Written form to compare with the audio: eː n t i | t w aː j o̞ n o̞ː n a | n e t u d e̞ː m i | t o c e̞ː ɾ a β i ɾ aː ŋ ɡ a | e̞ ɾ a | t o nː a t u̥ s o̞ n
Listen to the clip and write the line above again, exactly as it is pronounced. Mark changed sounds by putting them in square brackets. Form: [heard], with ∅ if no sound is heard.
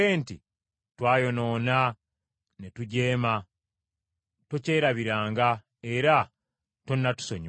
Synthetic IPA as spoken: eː n t i | t w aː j o̞ n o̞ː n a | n e t u [ɟ] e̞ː m [a] | t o c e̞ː ɾ a β i ɾ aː ŋ ɡ a | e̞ ɾ a | t o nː a t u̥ s o̞ [ɲ]